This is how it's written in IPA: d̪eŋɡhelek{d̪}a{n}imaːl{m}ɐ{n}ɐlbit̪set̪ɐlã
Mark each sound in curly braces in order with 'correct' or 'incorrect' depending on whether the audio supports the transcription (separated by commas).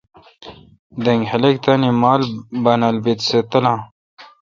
incorrect, correct, incorrect, correct